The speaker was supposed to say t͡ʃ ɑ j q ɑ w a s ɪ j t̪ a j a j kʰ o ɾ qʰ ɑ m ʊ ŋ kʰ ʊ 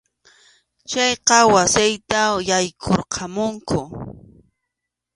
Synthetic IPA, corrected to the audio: t͡ʃ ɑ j q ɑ w a s ɪ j t̪ a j a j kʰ o ɾ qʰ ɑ m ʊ ŋ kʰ ʊ